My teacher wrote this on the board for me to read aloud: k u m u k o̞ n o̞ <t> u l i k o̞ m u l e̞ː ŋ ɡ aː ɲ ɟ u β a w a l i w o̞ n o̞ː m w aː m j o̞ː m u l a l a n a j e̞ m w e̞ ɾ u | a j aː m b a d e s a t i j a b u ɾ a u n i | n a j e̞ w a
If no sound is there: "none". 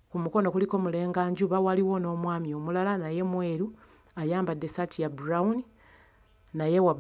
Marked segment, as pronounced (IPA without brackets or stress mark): k